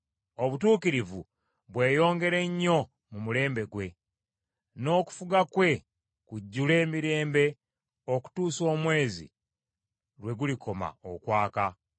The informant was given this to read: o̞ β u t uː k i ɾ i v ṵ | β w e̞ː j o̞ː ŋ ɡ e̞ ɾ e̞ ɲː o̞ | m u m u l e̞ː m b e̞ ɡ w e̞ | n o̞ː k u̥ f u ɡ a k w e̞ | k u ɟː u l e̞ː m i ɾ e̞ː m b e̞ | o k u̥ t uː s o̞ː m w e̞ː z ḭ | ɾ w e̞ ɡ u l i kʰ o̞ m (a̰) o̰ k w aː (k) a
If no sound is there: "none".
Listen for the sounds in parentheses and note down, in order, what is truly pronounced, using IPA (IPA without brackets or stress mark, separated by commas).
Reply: a̰, k